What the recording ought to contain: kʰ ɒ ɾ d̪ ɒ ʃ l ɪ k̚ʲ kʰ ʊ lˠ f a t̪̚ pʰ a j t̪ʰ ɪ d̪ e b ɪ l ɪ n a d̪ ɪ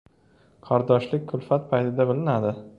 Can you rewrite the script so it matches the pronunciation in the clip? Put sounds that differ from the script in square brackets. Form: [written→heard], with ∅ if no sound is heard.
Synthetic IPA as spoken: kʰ ɒ ɾ d̪ ɒ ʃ l ɪ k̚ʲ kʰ ʊ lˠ f a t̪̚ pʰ a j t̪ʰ ɪ d̪ [e→a] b ɪ l ɪ n a d̪ ɪ